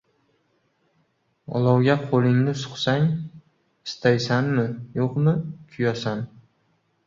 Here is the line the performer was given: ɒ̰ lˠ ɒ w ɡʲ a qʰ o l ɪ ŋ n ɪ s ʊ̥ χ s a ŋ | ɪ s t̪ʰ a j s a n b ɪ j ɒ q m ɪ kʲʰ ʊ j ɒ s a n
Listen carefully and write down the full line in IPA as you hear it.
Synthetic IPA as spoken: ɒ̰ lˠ ɒ w ɡʲ a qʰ o l ɪ ŋ n ɪ s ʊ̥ χ s a ŋ | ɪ s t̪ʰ a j s a n m ɪ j o q m ɪ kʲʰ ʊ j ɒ s a n